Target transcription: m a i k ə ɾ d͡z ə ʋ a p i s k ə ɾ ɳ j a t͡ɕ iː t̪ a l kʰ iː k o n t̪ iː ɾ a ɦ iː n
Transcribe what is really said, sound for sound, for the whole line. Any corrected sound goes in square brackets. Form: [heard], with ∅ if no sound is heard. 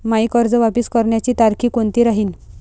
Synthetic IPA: m a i k ə ɾ d͡z ə ʋ a p i s k ə ɾ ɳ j a t͡ɕ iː t̪ a [ɾ] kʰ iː k o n t̪ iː ɾ a ɦ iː n